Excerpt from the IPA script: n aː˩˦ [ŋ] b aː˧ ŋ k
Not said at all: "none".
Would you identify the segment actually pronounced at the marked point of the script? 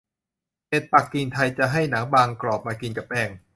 ŋ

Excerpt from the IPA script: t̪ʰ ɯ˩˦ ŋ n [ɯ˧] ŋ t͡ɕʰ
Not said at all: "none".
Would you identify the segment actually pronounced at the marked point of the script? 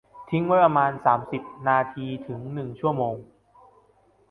ɯ˨˩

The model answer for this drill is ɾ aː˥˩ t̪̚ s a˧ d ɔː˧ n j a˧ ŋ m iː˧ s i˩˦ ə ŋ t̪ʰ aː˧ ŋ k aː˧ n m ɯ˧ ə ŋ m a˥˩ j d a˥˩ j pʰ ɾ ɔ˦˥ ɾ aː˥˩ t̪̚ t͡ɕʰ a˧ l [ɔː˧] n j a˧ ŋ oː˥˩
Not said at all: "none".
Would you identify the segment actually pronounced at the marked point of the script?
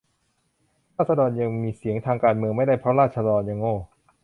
ɔː˧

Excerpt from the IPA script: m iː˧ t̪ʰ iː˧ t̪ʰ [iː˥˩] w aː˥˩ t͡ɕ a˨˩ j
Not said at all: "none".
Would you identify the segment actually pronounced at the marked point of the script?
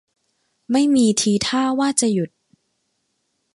aː˥˩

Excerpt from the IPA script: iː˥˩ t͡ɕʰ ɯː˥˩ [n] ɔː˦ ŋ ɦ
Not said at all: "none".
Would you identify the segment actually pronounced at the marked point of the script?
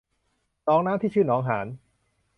n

